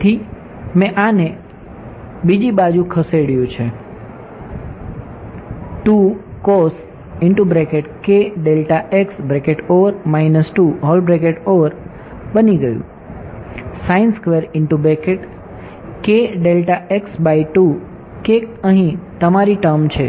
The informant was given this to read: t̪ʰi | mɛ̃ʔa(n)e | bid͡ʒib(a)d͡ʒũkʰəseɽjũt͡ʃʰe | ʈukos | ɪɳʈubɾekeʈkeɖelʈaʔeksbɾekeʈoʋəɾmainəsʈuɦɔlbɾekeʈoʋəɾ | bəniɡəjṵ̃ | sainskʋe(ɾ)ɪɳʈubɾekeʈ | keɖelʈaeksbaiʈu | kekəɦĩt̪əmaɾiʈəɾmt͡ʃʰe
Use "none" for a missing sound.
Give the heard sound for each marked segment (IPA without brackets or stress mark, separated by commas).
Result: n, a, ɾ